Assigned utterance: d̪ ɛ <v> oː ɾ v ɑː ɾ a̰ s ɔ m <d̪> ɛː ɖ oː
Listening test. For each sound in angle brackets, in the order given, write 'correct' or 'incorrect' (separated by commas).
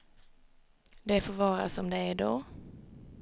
incorrect, correct